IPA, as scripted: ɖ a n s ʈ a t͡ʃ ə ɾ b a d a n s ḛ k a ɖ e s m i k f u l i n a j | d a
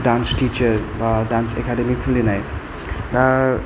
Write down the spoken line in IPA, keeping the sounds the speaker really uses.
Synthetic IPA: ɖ a n s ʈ i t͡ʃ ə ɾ b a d a n s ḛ k a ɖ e m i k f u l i n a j | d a

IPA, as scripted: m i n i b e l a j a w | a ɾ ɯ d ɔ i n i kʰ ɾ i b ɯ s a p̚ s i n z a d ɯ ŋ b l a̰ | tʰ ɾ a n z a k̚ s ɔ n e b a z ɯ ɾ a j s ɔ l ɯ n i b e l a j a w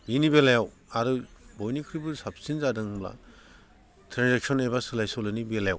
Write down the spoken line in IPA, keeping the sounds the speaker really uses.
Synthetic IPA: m i n i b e l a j a w | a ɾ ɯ b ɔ j n i kʰ ɾ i b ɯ s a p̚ s i n z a d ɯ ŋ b l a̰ | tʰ ɾ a n z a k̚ s ɔ n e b a s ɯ l a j s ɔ l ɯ n i b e l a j a w

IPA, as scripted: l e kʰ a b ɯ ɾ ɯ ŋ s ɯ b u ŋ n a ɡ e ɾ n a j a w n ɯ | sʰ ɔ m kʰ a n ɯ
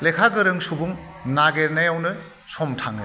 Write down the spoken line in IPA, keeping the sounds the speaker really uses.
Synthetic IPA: l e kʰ a ɡ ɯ ɾ ɯ ŋ s u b u ŋ n a ɡ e ɾ n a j a w n ɯ | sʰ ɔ m tʰ a ŋ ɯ

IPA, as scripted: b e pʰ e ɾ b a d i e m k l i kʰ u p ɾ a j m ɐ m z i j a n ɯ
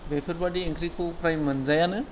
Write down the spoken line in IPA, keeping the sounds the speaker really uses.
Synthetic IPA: b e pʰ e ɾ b a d i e ŋ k ɾ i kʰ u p ɾ a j m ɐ n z a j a n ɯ

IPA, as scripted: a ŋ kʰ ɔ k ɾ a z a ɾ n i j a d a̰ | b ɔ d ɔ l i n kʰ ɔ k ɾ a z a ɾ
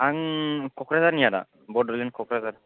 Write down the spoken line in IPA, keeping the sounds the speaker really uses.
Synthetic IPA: a ŋ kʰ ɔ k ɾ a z a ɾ n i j a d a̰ | b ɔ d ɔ l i n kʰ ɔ k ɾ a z a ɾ

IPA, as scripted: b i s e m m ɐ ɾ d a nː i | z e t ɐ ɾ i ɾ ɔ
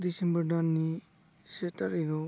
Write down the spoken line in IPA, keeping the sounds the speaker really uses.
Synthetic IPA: d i s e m b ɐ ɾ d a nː i | s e t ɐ ɾ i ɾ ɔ

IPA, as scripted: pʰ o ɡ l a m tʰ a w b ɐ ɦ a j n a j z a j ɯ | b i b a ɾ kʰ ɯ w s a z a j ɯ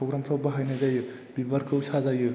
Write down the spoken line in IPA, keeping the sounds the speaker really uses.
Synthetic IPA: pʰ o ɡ ɾ a m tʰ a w b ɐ ɦ a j n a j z a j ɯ | b i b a ɾ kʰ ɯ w s a z a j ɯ

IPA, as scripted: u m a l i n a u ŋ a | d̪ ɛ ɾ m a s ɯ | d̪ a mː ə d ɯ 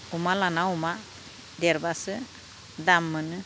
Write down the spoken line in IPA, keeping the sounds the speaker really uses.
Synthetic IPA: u m a l a n a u m a | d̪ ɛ ɾ b a s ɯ | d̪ a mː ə n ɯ

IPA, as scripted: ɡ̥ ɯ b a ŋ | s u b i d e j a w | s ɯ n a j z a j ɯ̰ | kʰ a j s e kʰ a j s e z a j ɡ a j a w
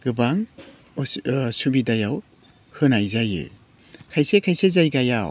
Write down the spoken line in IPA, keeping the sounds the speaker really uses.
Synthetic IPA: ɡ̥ ɯ b a ŋ | s u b i d a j a w | h ɯ n a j z a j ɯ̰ | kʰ a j s e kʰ a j s e z a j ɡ a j a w

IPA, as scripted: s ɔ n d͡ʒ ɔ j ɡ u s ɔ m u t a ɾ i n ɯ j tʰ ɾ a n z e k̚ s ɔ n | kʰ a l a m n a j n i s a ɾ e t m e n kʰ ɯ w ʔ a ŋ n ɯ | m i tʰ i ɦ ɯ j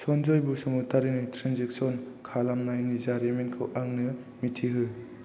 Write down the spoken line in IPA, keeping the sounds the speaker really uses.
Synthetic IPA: s ɔ n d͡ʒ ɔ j b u s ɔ m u t a ɾ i n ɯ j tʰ ɾ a n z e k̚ s ɔ n | kʰ a l a m n a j n i z a ɾ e m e n kʰ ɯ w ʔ a ŋ n ɯ | m i tʰ i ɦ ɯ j

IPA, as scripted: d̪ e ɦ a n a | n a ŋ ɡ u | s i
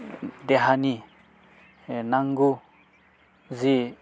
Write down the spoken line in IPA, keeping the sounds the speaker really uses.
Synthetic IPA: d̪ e ɦ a n i | n a ŋ ɡ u | z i

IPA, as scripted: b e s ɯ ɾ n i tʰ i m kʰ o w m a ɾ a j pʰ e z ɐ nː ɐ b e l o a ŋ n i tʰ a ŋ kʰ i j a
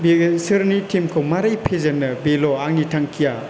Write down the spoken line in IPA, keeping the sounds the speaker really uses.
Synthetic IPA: b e s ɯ ɾ n i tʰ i m kʰ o w m a ɾ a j pʰ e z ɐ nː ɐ b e l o a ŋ n i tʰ a ŋ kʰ i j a

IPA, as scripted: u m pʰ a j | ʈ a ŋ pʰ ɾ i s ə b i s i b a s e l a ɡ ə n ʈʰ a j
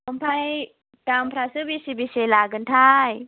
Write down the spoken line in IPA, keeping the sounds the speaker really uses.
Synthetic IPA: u m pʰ a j | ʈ a m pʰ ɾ a s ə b i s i b i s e l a ɡ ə n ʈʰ a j

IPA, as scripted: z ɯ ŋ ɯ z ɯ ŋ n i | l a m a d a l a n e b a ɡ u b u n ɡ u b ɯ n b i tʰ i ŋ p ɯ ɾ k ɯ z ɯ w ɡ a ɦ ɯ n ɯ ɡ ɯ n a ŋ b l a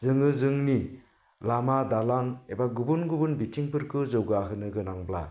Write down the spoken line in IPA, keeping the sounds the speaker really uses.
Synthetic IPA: z ɯ ŋ ɯ z ɯ ŋ n i | l a m a d a l a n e b a ɡ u b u n ɡ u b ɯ n b i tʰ i ŋ p ɯ ɾ k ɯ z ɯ w ɡ a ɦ ɯ n ɯ ɡ ɯ n a ŋ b l a

